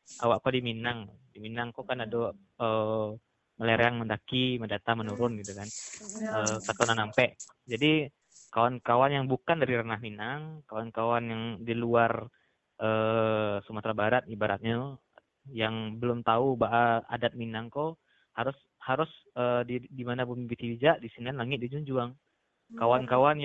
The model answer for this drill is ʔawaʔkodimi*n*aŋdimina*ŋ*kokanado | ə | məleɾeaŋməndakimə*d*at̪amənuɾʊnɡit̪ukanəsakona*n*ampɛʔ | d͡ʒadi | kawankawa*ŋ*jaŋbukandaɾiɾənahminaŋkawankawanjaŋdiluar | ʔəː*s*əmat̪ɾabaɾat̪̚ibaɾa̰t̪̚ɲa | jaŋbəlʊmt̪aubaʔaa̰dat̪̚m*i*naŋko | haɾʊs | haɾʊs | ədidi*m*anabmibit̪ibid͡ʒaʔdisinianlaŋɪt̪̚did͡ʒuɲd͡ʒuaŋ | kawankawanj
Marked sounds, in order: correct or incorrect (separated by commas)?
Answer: correct, correct, correct, correct, incorrect, correct, correct, correct